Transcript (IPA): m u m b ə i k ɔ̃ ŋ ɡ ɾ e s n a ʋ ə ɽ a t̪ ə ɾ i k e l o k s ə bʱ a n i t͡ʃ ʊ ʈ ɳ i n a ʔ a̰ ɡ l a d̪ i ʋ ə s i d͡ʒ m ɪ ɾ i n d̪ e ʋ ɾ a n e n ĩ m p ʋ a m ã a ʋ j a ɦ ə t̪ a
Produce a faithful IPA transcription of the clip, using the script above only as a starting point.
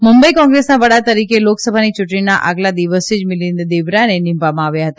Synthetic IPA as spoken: m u m b ə i k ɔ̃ ŋ ɡ ɾ e s n a ʋ ə ɽ a t̪ ə ɾ i k e l o k s ə bʱ a n i t͡ʃ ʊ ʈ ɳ i n a ʔ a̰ ɡ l a d̪ i ʋ ə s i d͡ʒ m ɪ l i n d̪ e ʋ ɾ a n e n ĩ m p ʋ a m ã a ʋ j a ɦ ə t̪ a

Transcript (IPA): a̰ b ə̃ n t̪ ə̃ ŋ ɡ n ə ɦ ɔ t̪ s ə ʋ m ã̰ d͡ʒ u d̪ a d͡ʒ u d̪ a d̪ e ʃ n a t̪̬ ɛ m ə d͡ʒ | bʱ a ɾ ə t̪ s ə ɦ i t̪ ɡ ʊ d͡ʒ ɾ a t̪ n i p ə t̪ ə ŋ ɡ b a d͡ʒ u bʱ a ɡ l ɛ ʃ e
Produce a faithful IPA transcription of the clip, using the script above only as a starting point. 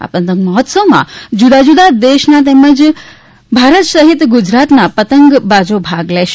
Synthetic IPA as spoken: a̰ p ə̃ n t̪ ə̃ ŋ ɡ m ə ɦ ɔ t̪ s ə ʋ m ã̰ d͡ʒ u d̪ a d͡ʒ u d̪ a d̪ e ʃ n a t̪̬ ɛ m ə d͡ʒ | bʱ a ɾ ə t̪ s ə ɦ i t̪ ɡ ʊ d͡ʒ ɾ a t̪ n a p ə t̪ ə ŋ ɡ b a d͡ʒ o bʱ a ɡ l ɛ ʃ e

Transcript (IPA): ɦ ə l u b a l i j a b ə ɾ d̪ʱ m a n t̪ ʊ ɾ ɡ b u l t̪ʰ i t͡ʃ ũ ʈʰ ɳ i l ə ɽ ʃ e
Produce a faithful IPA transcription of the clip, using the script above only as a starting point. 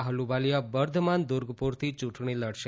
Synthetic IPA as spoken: ɦ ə l u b a l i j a b ə ɾ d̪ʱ m a n d̪ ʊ ɾ ɡ p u ɾ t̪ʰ i t͡ʃ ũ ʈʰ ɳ i l ə ɽ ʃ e

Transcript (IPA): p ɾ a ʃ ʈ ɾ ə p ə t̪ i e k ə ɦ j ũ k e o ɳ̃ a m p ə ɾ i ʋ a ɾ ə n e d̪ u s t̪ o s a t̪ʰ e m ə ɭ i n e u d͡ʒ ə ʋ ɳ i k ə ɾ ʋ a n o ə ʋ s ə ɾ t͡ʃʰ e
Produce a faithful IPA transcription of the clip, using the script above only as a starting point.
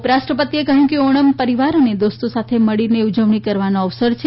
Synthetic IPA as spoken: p ɾ a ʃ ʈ ɾ ə p ə t̪ i e k ə ɦ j ũ k e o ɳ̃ ə m p ə ɾ i ʋ a ɾ ə n e d̪ o s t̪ o s a t̪ʰ e m ə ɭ i n e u d͡ʒ ə ʋ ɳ i k ə ɾ ʋ a n o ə ʋ s ə ɾ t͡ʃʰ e

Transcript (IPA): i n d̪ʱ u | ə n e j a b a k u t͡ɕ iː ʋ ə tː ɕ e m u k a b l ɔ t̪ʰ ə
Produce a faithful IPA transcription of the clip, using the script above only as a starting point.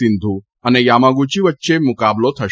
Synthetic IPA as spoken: i n d̪ʱ u | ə n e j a m a ɡ u t͡ɕ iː ʋ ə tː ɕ e m u k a b l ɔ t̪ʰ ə

